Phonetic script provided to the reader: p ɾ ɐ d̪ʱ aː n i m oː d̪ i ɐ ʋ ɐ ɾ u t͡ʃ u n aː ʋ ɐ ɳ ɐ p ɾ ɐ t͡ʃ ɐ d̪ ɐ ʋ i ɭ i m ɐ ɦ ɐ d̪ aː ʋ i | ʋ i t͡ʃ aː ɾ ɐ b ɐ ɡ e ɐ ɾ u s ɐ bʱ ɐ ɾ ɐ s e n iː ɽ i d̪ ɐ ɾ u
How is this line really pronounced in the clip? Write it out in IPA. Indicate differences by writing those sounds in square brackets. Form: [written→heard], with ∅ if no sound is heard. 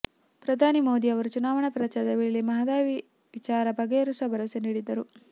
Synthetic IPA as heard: p ɾ ɐ d̪ʱ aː n i m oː d̪ i ɐ ʋ ɐ ɾ u t͡ʃ u n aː ʋ ɐ ɳ ɐ p ɾ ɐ t͡ʃ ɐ d̪ ɐ ʋ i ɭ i m ɐ ɦ ɐ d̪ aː ʋ i | ʋ i t͡ʃ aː ɾ ɐ b ɐ ɡ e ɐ ɾ u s ɐ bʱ ɐ ɾ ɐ s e n iː ɽ i d̪ ɐ ɾ u